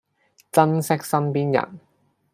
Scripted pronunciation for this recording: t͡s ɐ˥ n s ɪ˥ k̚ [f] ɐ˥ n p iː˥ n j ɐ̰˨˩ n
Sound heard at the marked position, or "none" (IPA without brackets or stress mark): s